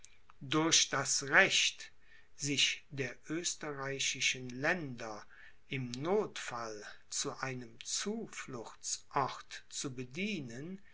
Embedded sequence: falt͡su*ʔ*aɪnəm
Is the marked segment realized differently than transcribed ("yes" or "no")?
no